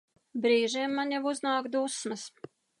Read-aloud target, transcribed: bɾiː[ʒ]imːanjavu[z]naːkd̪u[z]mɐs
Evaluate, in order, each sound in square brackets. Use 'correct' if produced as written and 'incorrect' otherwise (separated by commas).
correct, correct, incorrect